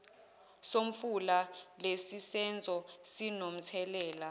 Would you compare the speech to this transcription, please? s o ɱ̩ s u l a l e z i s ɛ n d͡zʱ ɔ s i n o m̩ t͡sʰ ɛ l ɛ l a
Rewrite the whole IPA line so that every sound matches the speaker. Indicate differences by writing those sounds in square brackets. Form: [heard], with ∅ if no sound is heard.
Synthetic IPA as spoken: s o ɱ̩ [f] u l a l e [s] i s ɛ n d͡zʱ ɔ s i n o m̩ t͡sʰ ɛ l [ɛː] l a